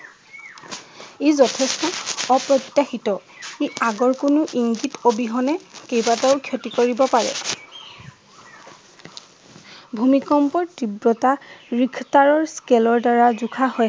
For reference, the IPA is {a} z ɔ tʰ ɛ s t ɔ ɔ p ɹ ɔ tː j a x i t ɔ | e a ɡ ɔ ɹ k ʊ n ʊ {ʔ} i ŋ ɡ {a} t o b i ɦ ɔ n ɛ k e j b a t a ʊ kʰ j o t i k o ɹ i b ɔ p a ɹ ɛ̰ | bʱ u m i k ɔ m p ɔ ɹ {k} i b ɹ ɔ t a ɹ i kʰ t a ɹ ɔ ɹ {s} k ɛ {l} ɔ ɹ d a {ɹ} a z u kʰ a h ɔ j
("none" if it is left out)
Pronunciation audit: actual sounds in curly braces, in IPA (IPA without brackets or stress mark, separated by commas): e, ʔ, i, t, s, l, ɹ